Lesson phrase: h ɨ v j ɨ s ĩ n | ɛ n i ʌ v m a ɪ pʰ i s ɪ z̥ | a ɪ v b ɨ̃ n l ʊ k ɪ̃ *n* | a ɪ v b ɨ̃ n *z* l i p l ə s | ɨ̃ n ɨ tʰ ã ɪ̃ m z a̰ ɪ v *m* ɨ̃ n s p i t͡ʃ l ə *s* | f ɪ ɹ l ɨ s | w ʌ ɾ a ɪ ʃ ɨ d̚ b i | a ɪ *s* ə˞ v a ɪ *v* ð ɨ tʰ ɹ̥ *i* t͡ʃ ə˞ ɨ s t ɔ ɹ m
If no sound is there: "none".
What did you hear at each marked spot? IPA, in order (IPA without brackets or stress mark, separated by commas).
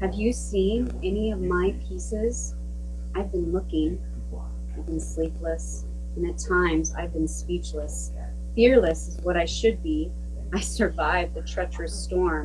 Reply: ŋ, s, b, s, s, v, ɛ